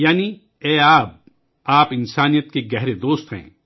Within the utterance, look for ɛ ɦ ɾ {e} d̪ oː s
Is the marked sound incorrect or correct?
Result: correct